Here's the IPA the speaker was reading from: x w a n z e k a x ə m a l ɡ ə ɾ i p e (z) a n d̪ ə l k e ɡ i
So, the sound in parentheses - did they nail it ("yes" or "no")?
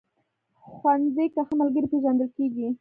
no